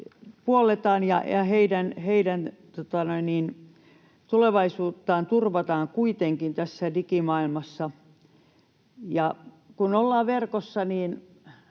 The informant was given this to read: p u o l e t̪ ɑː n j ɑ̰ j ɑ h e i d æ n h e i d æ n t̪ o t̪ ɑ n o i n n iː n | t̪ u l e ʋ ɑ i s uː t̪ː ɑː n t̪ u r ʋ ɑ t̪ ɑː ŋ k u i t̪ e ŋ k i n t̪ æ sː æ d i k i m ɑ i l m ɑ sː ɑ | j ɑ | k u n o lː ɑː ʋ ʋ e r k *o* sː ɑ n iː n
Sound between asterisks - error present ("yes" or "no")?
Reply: no